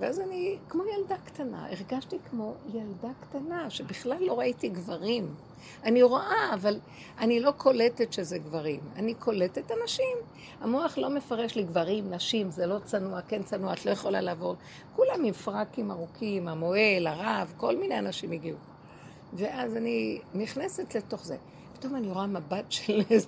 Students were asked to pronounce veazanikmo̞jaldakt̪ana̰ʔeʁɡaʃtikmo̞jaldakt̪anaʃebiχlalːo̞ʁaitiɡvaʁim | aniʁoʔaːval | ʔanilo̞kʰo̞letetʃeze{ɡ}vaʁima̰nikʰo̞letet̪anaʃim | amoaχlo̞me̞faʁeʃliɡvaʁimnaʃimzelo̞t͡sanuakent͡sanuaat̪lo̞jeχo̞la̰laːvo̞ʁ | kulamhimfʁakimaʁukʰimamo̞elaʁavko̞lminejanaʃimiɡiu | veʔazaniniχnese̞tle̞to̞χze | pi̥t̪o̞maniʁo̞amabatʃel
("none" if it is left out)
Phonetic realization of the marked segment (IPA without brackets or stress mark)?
ɡ